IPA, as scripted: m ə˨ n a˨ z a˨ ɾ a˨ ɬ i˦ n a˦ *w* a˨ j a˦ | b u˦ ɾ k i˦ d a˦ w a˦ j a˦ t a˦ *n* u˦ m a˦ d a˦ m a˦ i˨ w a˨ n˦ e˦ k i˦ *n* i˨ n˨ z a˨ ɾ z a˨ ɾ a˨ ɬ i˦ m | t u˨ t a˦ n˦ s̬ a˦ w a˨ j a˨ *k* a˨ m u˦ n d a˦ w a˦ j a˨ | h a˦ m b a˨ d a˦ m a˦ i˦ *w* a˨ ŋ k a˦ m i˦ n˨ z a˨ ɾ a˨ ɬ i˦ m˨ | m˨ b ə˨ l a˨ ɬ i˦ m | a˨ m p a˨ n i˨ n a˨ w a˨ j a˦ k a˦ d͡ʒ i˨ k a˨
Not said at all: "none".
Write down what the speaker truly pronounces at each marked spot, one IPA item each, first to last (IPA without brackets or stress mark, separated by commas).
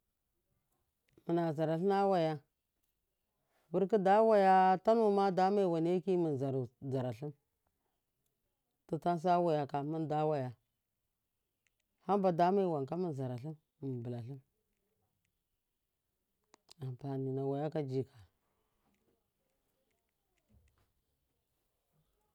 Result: w, n, m, k, w